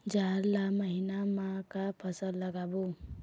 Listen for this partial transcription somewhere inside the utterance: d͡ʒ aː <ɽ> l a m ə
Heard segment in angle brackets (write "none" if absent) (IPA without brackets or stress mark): ɾ